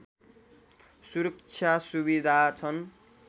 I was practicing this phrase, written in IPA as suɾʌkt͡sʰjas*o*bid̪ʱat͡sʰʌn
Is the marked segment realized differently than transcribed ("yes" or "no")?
yes